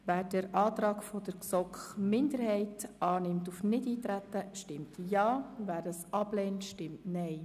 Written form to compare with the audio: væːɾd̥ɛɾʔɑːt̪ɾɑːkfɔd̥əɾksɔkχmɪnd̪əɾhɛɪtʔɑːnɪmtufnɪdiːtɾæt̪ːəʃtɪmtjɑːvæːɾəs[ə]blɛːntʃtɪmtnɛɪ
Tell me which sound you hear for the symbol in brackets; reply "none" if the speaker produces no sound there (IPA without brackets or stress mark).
ɑ